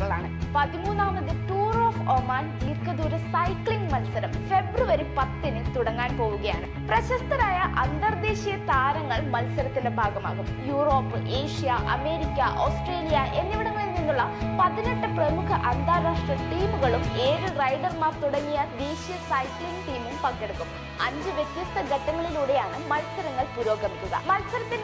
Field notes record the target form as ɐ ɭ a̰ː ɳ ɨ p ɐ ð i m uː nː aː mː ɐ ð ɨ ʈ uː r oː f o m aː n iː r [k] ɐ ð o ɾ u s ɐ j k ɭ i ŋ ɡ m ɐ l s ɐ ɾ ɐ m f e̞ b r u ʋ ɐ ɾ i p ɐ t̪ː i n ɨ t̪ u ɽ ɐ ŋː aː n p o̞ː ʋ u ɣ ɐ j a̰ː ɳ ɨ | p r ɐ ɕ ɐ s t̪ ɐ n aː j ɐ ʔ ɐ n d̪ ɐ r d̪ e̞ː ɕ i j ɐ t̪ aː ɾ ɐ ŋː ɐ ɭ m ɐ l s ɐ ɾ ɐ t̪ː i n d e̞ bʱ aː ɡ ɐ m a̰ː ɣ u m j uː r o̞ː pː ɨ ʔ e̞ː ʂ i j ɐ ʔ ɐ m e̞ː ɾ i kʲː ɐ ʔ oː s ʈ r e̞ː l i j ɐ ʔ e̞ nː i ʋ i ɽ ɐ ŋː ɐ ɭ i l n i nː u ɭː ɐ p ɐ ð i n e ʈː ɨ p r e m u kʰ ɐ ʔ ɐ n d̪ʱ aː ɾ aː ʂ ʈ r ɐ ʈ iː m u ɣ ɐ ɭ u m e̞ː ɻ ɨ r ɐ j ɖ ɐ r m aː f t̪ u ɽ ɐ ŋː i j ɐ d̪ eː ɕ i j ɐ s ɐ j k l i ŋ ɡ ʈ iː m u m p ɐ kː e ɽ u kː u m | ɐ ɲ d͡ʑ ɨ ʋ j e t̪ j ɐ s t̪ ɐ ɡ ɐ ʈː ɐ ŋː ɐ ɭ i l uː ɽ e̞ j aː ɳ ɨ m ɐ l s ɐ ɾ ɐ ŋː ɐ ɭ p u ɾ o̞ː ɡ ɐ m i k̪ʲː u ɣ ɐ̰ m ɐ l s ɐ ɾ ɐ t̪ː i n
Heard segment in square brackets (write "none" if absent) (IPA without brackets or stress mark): k